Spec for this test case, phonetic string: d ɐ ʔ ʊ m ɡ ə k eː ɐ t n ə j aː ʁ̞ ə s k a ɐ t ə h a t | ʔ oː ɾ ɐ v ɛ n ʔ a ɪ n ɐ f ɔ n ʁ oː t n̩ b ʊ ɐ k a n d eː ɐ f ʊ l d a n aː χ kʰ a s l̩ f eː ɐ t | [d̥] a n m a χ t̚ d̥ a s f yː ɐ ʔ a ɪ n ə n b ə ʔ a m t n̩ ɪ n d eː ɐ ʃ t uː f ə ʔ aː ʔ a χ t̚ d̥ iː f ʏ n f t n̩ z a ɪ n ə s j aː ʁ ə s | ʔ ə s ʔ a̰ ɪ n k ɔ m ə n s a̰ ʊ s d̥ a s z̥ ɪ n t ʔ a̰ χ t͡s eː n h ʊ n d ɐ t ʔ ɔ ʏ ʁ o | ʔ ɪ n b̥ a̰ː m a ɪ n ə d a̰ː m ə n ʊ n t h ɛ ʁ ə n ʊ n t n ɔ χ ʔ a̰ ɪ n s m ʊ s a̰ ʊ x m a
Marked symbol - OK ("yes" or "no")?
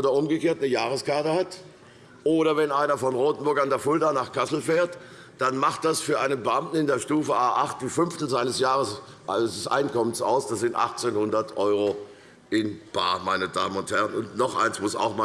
yes